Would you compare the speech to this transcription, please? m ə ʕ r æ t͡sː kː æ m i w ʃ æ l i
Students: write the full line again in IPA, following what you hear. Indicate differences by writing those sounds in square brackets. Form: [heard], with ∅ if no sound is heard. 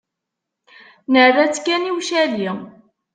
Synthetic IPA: [n] ə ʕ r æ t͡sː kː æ [n] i w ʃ æ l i

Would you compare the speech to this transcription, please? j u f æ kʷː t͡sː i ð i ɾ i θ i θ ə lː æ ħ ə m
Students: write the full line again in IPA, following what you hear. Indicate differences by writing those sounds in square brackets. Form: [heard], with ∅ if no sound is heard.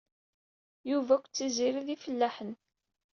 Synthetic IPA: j u [v] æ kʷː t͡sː i [z] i ɾ i [ð] i [f] ə lː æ ħ ə [n]

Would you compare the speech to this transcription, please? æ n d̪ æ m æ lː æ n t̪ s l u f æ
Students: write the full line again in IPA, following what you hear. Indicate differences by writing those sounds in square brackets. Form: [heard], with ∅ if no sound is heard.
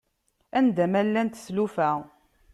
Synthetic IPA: æ n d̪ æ m æ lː æ n t̪ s l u f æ

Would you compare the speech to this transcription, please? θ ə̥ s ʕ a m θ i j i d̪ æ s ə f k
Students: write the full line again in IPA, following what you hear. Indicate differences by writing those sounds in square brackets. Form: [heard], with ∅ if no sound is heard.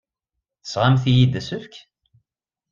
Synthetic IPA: θ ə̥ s [ʁ] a m θ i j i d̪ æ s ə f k

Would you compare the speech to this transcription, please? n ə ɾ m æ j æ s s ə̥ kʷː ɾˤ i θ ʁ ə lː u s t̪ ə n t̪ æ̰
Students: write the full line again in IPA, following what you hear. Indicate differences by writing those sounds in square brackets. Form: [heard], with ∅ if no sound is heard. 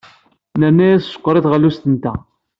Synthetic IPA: n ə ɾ [n] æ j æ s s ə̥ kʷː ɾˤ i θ ʁ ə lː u s t̪ ə n t̪ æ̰

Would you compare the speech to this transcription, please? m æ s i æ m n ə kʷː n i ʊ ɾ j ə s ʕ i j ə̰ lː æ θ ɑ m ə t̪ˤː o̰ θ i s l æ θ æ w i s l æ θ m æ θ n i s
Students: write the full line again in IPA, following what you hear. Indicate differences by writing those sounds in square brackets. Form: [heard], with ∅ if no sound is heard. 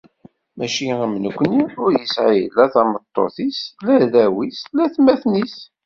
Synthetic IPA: m æ [ʃ] i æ m n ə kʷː n i ʊ ɾ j ə s ʕ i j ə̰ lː æ θ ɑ m ə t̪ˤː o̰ θ i s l æ [ð] æ w i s l æ θ m æ θ n i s

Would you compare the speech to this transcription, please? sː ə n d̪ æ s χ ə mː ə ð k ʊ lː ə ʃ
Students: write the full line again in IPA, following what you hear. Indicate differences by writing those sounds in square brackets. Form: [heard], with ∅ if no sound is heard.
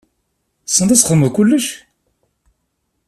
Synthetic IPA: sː ə n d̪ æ s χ ə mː ə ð k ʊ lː ə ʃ

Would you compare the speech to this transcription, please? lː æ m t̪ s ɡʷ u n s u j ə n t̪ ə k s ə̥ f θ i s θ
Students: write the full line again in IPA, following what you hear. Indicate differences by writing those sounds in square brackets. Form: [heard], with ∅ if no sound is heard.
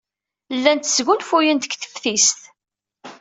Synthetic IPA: lː æ [n] t̪ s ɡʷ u n [f] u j ə n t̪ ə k [θ] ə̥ f θ i s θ

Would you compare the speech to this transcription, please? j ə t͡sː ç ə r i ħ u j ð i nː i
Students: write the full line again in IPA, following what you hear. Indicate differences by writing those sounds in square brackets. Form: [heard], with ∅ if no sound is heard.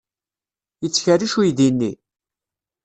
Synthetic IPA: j ə t͡sː ç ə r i [ʃ] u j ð i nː i

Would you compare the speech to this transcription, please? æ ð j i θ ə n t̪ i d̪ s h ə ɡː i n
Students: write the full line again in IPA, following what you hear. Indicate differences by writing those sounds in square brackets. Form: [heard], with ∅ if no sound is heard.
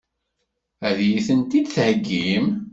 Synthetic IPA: æ ð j i θ ə n t̪ i d̪ [θ] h ə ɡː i [m]

